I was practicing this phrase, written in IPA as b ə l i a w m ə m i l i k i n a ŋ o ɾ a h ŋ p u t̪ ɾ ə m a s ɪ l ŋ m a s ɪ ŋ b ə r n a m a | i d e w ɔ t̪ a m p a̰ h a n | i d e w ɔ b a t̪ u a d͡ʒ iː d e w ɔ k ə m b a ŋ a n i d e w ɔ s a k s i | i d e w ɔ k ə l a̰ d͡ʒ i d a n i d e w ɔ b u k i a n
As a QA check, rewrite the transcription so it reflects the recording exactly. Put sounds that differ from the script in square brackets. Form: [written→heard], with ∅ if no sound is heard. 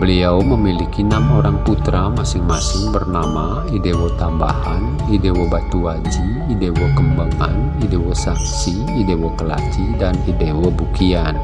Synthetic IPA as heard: b ə l i a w m ə m i l i k i n a [ŋ→m] o ɾ a [h→∅] ŋ p u t̪ ɾ [ə→a] m a s ɪ [l→∅] ŋ m a s ɪ ŋ b ə r n a m a | i d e w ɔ t̪ a m [p→b] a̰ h a n | i d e w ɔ b a t̪ u a d͡ʒ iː d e w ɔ k ə m b a ŋ a n i d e w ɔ s a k s i | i d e w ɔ k ə l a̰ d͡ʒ i d a n i d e w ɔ b u k i a n